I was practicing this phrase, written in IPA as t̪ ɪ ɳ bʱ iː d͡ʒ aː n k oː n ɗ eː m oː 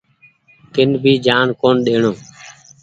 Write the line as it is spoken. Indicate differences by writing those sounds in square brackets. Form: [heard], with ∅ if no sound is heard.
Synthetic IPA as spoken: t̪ ɪ [n] bʱ iː d͡ʒ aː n k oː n ɗ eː [ɳ] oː